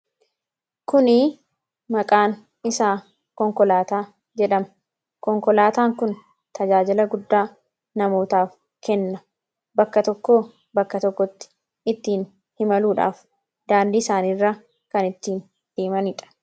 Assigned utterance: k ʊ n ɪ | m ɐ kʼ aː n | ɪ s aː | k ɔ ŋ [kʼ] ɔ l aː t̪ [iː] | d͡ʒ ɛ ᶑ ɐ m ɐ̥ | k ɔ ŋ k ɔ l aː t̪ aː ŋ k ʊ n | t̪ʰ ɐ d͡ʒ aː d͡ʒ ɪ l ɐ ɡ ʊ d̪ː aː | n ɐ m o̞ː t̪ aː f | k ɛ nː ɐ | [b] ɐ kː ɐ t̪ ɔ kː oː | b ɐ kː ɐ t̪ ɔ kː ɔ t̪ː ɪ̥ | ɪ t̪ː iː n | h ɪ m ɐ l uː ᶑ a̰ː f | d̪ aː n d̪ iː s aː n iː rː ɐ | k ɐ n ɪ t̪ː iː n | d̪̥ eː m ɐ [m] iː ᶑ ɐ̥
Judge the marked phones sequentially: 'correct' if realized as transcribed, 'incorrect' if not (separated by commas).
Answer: incorrect, incorrect, correct, incorrect